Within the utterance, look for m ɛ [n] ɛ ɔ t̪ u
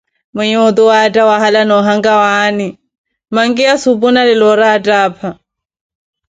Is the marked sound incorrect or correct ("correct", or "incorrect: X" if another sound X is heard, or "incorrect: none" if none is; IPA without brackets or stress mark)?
incorrect: ɲ